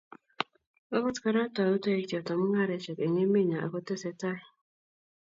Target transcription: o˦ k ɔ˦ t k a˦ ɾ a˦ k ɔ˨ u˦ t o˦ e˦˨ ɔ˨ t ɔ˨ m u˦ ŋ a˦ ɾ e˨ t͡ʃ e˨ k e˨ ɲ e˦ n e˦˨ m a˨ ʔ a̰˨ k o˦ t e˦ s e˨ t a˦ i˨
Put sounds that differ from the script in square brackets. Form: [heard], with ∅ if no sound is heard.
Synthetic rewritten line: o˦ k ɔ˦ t k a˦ ɾ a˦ [t] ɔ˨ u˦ t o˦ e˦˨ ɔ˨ t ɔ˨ m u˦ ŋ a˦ ɾ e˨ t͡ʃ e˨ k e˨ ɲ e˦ [m] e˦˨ [ɲ] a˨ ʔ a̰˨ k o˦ t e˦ s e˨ t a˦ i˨